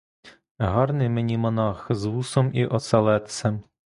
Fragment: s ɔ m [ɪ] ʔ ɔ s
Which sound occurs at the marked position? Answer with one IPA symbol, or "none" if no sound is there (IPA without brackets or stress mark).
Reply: i